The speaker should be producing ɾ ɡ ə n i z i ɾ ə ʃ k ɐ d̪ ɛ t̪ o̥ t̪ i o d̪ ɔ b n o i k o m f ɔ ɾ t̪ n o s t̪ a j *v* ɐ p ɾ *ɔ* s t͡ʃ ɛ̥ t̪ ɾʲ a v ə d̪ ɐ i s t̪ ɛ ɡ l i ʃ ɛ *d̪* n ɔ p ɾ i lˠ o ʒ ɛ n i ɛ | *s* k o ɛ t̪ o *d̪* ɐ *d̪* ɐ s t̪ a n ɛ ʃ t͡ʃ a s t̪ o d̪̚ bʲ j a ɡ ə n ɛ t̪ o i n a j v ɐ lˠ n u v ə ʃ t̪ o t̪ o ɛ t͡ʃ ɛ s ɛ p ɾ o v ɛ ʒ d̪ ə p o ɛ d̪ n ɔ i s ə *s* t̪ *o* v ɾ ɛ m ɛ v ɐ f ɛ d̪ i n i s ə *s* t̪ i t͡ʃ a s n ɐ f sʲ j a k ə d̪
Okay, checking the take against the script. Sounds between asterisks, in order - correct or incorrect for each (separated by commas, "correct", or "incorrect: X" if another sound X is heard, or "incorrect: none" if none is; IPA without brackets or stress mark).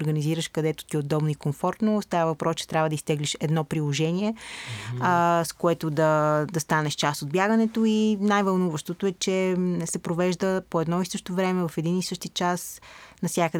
correct, correct, correct, correct, correct, correct, incorrect: ʃ, correct, incorrect: ʃ